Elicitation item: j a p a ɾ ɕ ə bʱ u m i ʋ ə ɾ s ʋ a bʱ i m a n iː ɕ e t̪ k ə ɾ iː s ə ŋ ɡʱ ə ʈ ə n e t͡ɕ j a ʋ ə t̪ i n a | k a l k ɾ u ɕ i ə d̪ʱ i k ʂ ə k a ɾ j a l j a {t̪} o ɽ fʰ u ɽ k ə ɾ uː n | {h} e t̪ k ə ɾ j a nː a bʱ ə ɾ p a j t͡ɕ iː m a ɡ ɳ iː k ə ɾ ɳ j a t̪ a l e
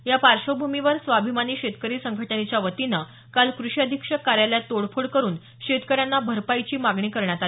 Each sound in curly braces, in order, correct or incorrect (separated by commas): correct, incorrect